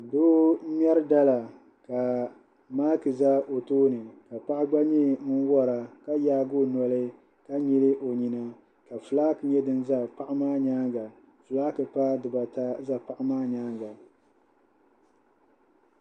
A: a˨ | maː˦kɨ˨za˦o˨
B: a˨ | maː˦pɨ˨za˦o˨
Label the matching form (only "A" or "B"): A